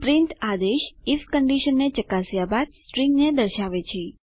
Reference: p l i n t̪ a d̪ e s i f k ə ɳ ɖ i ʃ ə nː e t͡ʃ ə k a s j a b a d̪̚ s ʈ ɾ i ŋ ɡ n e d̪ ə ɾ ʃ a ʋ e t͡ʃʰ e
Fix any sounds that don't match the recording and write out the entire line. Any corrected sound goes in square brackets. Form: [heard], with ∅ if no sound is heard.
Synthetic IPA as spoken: p [ɾ] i n t̪ a d̪ e [ʃ] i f k ə ɳ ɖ i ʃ ə nː e t͡ʃ ə k a s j a b a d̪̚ s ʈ ɾ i ŋ ɡ n e d̪ ə ɾ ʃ a ʋ e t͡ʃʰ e